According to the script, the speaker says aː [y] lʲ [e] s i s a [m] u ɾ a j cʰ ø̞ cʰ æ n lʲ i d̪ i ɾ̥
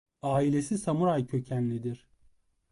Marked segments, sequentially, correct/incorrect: incorrect: i, correct, correct

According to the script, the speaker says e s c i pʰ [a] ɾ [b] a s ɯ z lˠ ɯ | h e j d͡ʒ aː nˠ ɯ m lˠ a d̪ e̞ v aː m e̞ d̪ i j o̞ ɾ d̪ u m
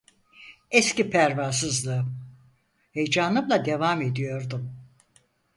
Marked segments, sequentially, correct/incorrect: incorrect: æ, incorrect: v

